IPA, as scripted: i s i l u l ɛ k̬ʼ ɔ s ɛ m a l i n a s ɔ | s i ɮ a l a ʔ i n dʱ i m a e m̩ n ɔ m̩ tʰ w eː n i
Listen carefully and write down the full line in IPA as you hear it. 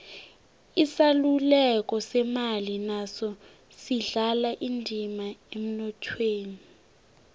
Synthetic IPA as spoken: i s a l u l ɛ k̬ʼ ɔ s ɛ m a l i n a s ɔ | s i ɮ a l a ʔ i n dʱ i m a e m̩ n ɔ tʰ w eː n i